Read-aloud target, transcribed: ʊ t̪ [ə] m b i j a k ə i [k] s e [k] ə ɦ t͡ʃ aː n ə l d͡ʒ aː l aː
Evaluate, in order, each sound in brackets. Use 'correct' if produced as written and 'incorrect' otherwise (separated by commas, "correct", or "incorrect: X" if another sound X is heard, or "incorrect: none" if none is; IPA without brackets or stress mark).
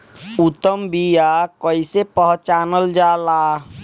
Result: correct, incorrect: none, incorrect: p